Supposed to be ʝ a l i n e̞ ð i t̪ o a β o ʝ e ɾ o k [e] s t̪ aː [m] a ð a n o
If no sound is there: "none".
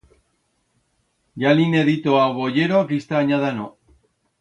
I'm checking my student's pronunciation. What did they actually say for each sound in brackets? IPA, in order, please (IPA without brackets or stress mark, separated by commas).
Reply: i, ɲ